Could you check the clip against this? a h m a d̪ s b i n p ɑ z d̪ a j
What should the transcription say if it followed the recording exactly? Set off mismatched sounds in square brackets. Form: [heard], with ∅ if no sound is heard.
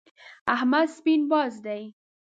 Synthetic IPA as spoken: a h m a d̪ s [p] i n [b] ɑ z d̪ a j